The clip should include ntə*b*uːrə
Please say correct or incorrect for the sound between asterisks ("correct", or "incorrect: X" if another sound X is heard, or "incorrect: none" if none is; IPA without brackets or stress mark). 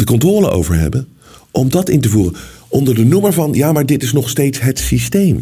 incorrect: v